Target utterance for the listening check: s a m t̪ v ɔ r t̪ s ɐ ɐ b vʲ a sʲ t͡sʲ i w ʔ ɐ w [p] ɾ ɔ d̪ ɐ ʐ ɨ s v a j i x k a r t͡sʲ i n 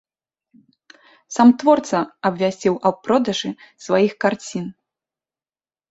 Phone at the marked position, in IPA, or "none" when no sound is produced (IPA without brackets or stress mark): p